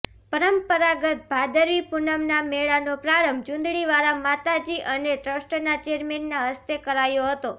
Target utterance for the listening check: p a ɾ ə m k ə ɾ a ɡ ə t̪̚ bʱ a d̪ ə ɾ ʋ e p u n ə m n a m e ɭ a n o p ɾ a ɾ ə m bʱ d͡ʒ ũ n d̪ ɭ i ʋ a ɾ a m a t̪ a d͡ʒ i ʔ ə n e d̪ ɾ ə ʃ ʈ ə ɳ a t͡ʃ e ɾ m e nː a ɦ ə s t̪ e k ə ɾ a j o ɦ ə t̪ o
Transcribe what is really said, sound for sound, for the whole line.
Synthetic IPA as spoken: p ə ɾ ə m p ə ɾ a ɡ ə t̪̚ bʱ a d̪ ə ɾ ʋ i p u n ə m n a m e ɭ a n o p ɾ a ɾ ə m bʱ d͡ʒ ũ n d̪ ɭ i ʋ a ɾ a m a t̪ a d͡ʒ i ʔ ə n e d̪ ɾ ə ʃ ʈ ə n a t͡ʃ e ɾ m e nː a ɦ ə s t̪ e k ə ɾ a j o ɦ ə t̪ o